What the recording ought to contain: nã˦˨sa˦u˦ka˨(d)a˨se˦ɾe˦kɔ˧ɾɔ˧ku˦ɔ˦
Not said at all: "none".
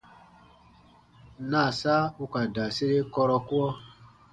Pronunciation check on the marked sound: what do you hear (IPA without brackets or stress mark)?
d